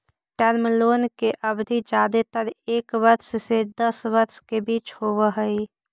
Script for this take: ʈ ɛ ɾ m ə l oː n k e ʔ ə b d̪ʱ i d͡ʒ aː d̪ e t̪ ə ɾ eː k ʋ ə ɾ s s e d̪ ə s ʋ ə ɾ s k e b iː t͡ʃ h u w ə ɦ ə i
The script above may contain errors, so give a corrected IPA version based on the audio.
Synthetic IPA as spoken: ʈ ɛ ɾ m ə l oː n k e ʔ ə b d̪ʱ i d͡ʒ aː d̪ e t̪ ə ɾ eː k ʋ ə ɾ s s e d̪ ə s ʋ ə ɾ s k e b iː t͡ʃ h o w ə ɦ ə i